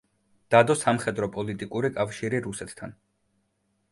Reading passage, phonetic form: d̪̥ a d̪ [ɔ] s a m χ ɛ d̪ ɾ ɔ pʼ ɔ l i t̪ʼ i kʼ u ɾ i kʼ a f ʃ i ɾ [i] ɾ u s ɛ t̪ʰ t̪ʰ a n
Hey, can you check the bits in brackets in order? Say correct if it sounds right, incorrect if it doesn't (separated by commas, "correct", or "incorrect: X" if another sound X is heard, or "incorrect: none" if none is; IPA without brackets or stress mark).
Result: correct, correct